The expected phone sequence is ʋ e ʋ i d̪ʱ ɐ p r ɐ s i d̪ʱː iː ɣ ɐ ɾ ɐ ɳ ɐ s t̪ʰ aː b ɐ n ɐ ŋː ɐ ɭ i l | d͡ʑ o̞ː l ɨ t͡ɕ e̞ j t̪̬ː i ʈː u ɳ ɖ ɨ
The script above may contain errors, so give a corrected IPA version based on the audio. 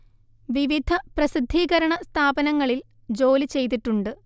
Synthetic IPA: ʋ i ʋ i d̪ʱ ɐ p r ɐ s i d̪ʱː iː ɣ ɐ ɾ ɐ ɳ ɐ s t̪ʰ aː b ɐ n ɐ ŋː ɐ ɭ i l | d͡ʑ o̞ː l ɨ t͡ɕ e̞ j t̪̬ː i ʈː u ɳ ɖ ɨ